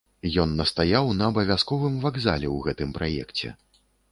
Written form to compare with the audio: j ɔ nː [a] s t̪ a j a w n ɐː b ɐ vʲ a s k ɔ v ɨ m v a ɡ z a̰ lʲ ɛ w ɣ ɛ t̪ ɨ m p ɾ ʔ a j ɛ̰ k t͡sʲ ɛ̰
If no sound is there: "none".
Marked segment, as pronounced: ɐ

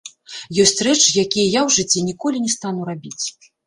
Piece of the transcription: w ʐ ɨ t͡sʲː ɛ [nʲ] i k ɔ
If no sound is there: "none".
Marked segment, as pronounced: nʲ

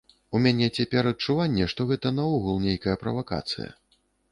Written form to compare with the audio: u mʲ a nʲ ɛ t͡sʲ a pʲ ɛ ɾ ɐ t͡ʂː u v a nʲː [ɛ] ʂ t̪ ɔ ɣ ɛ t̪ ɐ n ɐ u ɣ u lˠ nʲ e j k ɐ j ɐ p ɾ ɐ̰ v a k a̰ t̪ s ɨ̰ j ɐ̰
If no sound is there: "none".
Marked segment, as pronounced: ɛ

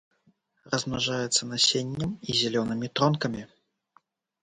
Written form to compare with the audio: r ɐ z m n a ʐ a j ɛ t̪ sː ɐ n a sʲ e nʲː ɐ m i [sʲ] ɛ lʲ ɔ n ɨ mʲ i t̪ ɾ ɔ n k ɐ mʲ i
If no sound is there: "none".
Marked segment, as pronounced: zʲ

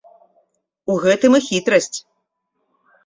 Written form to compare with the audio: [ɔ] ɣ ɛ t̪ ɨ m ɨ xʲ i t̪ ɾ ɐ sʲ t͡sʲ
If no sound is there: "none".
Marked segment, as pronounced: u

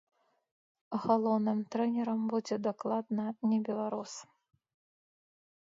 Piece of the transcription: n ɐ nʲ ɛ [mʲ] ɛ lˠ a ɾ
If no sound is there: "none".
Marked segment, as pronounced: bʲ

